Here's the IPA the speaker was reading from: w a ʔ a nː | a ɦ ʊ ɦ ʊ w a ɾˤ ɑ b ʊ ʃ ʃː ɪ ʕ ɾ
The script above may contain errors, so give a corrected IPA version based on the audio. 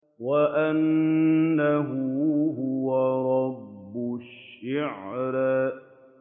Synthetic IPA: w a ʔ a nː | a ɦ ʊ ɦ ʊ w a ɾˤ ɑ bː ʊ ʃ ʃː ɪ ʕ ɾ

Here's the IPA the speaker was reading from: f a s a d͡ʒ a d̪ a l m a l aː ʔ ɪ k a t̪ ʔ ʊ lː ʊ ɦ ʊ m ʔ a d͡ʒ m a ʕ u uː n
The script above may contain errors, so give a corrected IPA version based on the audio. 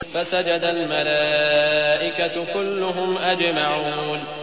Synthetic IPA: f a s a d͡ʒ a d̪ a l m a l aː ʔ ɪ k a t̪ k ʊ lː ʊ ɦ ʊ m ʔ a d͡ʒ m a ʕ u uː n

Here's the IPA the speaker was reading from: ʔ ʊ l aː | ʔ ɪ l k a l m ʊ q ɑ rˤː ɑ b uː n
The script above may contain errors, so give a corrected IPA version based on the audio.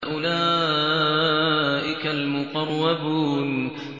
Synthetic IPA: ʔ ʊ l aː | ʔ ɪ k a l m ʊ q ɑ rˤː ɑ b uː n

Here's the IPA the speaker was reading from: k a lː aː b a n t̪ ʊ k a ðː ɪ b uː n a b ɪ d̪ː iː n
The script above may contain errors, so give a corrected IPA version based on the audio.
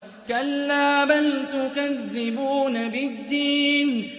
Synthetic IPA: k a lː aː b a n t̪ ʊ k a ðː ɪ b uː n a b ɪ d̪ː iː n

